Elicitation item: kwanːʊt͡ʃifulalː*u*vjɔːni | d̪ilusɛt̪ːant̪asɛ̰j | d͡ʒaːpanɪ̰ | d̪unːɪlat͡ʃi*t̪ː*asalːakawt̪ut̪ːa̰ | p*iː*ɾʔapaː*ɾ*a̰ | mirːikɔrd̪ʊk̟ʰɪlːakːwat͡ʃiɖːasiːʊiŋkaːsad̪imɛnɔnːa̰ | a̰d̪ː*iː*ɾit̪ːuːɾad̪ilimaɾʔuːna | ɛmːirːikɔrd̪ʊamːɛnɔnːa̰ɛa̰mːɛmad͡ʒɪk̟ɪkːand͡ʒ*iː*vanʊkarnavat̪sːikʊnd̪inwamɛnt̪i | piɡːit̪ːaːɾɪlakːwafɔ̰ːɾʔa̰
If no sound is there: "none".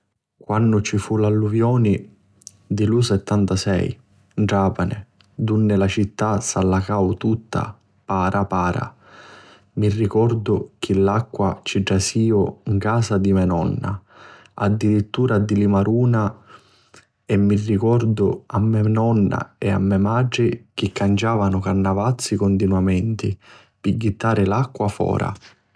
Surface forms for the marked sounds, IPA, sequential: u, t̪ː, aː, ɾ, i, aː

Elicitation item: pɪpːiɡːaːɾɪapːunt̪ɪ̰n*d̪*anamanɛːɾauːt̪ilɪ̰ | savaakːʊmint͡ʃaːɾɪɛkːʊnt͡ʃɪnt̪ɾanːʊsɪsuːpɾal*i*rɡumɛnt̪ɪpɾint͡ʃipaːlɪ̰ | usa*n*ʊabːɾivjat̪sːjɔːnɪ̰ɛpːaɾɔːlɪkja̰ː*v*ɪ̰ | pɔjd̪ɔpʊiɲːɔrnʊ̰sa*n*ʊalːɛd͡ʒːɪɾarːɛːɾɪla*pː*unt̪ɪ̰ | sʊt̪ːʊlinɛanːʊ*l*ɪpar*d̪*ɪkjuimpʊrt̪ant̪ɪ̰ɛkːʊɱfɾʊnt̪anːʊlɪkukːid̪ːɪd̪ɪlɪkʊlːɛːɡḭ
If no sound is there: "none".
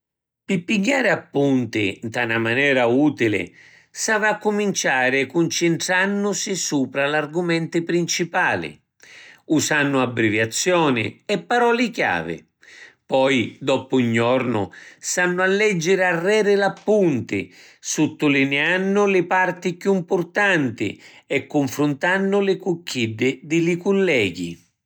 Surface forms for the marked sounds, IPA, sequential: t̪, a, nː, v, nː, pː, l, t̪

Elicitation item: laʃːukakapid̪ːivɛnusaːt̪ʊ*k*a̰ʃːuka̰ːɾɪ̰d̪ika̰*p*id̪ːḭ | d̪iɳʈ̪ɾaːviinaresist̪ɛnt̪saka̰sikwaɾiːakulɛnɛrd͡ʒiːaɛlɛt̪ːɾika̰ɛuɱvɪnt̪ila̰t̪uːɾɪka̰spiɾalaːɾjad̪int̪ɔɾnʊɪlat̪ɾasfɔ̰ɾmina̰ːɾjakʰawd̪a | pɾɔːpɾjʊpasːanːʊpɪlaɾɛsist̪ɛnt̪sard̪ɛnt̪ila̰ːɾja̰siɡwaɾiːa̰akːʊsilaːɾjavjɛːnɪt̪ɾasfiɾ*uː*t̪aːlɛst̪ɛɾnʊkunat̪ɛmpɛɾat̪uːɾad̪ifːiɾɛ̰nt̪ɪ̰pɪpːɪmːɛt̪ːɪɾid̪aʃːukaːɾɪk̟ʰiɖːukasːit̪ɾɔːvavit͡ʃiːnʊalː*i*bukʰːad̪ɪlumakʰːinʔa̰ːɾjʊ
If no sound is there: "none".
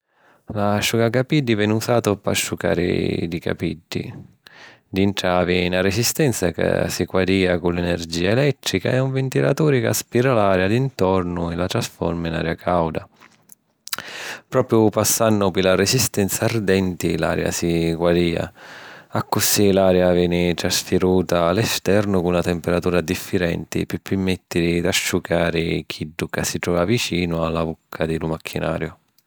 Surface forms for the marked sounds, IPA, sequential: p, p, uː, a

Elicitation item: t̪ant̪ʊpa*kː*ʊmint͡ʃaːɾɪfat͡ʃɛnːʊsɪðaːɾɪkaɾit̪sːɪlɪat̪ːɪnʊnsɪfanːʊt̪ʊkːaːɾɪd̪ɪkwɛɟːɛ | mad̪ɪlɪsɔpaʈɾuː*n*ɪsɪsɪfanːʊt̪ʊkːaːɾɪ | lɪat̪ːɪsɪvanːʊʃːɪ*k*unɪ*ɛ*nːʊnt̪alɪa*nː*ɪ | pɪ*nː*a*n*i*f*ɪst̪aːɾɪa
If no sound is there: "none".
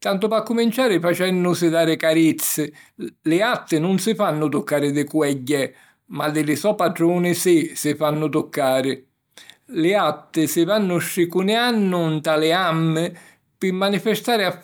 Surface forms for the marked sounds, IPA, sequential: kː, n, k, a, mː, mː, n, f

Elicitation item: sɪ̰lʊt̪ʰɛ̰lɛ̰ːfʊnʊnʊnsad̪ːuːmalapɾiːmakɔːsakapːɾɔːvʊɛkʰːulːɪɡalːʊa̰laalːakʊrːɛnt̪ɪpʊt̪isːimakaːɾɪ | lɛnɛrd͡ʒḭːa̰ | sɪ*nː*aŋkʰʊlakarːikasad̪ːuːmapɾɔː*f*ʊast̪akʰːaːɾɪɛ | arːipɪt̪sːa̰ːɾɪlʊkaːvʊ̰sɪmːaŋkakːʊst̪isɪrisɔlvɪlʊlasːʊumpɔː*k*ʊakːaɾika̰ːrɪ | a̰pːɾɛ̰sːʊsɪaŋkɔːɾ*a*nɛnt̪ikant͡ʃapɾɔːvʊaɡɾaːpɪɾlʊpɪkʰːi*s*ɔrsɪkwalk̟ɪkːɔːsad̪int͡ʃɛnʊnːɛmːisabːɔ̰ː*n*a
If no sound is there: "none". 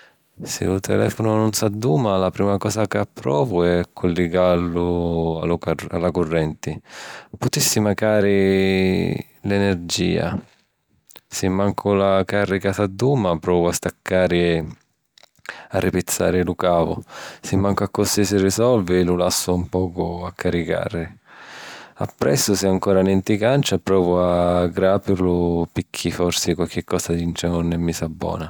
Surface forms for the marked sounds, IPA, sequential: mː, v, k, a, f, n

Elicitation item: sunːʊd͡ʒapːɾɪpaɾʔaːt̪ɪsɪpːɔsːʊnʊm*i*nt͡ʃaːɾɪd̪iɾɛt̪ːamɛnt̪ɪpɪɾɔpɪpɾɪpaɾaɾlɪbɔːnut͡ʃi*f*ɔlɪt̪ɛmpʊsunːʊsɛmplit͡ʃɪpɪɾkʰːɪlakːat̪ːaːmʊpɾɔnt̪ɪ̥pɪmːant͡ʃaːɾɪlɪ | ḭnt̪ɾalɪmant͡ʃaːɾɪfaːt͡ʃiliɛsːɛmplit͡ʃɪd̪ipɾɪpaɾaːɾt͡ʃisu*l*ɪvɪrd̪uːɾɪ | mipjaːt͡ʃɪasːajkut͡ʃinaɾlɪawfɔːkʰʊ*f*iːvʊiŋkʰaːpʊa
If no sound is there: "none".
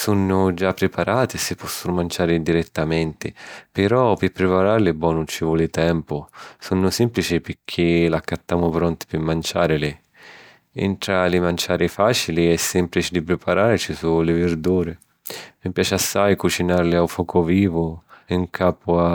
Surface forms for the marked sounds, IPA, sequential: a, v, l, v

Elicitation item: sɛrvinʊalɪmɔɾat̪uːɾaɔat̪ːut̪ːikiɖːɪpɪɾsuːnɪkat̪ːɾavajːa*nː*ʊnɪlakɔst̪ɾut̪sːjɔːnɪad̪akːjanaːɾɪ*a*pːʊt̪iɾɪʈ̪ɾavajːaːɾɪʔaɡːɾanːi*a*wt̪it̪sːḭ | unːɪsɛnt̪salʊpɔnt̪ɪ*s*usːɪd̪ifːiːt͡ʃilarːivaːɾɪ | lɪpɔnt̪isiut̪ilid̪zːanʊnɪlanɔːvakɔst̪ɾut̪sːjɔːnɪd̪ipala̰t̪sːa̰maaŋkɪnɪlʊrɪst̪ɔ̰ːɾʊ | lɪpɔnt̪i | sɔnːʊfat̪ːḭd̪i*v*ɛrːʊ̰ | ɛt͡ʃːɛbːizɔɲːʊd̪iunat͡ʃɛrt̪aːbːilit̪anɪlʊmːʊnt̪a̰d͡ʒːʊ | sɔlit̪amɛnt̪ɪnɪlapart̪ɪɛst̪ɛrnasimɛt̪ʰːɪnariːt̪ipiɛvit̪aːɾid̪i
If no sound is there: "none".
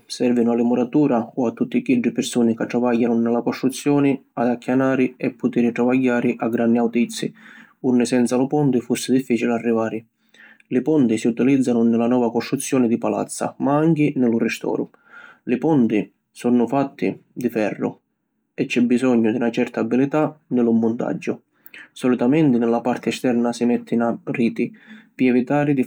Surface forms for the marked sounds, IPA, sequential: n, ɛ, a, f, f

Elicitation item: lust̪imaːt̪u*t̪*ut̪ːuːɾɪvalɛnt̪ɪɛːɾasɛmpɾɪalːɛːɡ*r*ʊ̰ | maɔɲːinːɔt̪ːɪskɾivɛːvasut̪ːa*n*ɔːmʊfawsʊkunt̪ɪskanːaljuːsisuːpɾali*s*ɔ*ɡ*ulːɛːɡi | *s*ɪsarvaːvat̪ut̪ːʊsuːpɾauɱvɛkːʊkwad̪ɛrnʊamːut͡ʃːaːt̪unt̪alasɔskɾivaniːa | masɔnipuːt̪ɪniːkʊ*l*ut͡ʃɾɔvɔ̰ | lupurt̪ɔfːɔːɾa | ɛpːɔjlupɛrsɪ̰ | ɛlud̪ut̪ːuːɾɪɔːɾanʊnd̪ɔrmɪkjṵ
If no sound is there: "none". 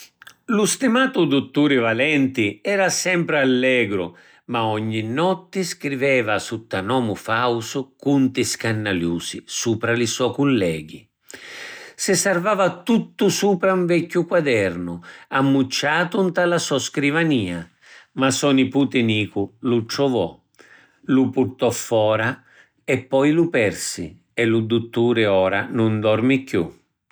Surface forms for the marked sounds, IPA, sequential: d̪, ɾ, n, s, k, s, l

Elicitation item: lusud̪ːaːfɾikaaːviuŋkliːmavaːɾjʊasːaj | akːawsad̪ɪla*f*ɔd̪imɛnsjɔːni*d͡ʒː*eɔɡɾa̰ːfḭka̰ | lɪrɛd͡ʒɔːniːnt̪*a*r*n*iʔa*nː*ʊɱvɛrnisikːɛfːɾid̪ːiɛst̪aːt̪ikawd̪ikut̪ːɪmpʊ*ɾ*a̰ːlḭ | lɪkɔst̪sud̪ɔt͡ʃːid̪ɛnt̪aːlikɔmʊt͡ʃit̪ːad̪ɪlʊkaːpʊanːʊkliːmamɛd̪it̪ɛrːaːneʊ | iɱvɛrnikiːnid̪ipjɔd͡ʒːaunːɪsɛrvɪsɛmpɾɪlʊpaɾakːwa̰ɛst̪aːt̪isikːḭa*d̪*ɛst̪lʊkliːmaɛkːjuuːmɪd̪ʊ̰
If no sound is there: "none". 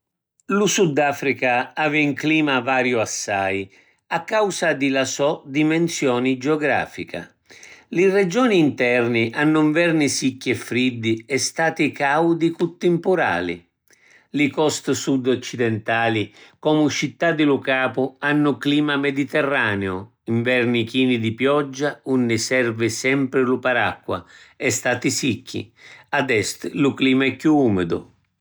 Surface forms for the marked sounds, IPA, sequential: s, d͡ʒ, ɛ, n, nː, ɾ, d̪

